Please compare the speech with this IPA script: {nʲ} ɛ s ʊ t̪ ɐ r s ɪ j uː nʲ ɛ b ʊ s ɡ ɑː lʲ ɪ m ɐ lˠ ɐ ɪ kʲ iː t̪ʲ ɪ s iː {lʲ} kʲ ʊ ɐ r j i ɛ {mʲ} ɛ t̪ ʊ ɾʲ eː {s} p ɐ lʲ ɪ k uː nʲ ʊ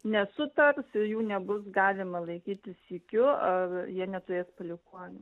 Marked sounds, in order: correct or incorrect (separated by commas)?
correct, incorrect, incorrect, correct